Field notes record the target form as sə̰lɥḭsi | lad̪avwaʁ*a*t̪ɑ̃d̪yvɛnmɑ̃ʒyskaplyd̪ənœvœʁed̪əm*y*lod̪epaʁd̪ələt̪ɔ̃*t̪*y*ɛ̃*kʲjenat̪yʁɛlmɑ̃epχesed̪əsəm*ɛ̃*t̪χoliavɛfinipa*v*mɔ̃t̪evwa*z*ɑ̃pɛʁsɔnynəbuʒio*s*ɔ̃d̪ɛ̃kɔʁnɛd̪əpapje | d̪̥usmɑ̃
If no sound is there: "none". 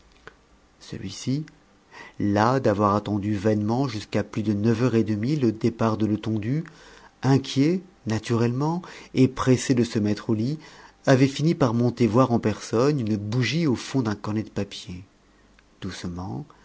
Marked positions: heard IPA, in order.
a, i, d̪, ɛ̃, ɛ, ʁ, ʁ, f

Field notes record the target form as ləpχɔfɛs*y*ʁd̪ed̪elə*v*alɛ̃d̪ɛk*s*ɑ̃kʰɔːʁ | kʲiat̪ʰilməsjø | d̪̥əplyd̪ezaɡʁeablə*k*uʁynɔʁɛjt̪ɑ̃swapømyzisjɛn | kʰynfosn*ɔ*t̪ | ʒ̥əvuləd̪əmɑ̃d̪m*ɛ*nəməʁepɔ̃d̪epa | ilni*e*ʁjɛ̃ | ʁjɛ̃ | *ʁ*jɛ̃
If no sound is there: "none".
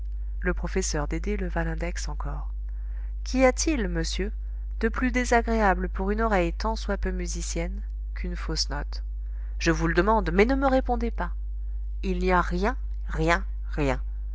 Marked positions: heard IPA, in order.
œ, v, s, p, ɔ, ɛ, a, ʁ

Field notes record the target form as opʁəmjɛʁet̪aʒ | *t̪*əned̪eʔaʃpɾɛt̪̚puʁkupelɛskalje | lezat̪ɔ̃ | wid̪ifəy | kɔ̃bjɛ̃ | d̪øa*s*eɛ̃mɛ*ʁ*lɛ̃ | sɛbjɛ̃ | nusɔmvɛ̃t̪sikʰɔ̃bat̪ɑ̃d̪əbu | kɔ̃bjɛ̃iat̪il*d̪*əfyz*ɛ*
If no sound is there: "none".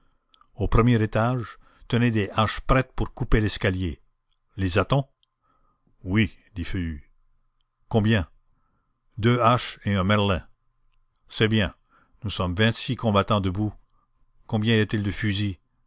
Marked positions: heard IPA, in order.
t̪, ʃ, ʁ, d̪, i

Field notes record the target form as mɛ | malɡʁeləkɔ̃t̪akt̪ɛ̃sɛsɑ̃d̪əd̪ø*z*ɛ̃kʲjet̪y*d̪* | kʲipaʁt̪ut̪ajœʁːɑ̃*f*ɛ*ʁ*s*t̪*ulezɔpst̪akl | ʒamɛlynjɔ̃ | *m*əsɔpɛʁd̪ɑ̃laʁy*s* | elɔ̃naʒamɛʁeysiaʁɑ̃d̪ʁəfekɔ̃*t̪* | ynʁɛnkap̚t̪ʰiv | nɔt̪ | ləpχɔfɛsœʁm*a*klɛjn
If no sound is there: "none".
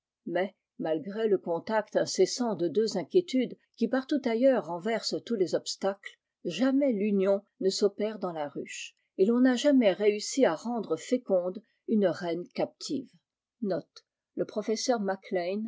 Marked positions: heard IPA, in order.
z, d̪, v, ʁ, t̪, n, ʃ, d̪, a

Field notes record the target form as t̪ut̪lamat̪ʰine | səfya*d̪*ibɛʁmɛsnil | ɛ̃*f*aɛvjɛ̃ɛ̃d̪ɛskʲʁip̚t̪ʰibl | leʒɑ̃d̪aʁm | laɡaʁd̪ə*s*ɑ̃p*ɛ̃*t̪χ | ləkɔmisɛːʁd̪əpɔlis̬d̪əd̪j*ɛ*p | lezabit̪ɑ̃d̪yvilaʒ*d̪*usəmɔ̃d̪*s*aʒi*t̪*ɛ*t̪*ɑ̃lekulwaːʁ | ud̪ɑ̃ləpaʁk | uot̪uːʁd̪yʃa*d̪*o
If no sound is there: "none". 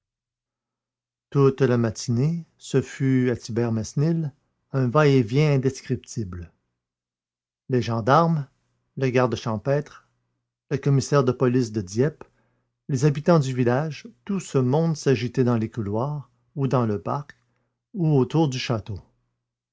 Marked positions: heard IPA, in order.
t̪, v, ʃ, ɛ, ɛ, t̪, s, t̪, d̪, t̪

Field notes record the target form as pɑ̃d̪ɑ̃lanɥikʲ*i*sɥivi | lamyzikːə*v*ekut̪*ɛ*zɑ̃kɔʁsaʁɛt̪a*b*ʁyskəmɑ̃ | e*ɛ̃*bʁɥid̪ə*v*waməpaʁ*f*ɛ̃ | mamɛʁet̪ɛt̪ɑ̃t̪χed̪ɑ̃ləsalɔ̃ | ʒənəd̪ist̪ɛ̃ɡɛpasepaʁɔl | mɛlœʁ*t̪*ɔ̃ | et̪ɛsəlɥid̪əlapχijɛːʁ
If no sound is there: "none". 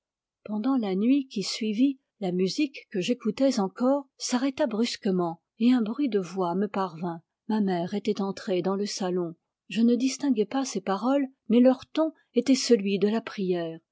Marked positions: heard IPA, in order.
i, ʒ, ɛ, b, ɛ̃, v, v, t̪

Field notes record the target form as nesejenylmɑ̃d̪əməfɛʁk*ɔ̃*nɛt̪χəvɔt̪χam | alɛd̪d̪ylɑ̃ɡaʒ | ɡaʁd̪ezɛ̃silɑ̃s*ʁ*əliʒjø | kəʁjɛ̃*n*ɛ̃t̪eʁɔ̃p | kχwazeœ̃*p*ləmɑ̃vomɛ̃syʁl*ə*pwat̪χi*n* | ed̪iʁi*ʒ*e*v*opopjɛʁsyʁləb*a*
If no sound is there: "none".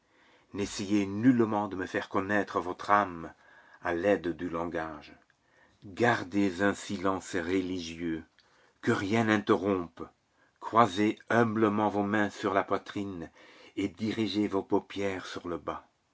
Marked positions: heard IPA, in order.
ɔ, ʁ, n, b, a, n, ʒ, v, a

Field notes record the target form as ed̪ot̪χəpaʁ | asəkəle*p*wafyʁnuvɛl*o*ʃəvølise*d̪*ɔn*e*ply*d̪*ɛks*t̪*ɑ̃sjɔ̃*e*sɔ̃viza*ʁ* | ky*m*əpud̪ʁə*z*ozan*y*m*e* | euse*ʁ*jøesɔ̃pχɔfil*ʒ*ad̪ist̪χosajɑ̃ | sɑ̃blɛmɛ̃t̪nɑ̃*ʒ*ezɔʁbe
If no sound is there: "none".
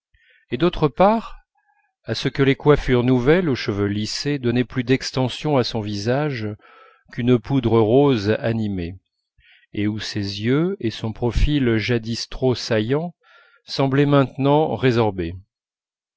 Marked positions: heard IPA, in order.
k, o, d̪, ɛ, d̪, t̪, a, ʒ, n, ʁ, i, e, z, ʒ, ʁ

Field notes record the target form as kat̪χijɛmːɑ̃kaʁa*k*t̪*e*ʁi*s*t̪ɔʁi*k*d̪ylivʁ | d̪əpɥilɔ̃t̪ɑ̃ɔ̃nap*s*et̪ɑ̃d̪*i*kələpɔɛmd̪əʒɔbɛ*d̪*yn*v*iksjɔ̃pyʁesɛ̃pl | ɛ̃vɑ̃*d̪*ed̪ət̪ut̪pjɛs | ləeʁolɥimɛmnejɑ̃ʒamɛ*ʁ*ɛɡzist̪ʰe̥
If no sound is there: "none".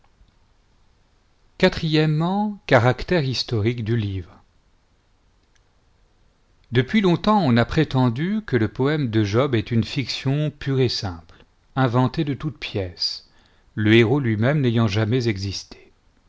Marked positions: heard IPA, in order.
k, ɛ, s, k, χ, y, t̪, f, t̪, z

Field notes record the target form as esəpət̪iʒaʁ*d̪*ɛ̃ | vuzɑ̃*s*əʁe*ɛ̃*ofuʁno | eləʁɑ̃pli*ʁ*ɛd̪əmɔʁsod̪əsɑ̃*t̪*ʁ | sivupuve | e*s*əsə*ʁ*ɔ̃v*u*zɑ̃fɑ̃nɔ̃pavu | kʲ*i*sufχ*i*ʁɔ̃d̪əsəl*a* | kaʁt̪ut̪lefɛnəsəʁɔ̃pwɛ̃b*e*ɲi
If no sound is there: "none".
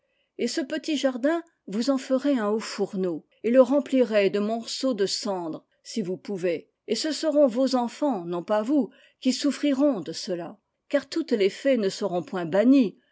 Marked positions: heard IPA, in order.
d̪, f, ɛ̃, ʁ, d̪, s, ʁ, o, i, i, a, a

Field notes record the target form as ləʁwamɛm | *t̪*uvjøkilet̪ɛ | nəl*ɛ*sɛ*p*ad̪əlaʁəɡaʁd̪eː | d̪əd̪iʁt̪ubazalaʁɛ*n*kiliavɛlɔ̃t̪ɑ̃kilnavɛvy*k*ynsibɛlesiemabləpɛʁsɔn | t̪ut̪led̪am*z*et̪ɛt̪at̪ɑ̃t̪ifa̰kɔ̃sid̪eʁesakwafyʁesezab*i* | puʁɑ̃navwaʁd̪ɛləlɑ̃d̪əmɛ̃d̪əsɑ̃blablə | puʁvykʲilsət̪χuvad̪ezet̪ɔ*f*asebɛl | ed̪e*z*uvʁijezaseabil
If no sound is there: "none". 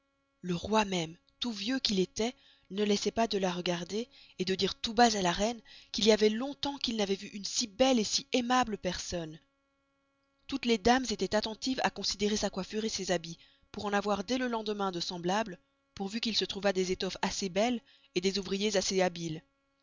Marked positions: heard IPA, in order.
t̪, ɛ, p, n, ʔ, z, i, f, z

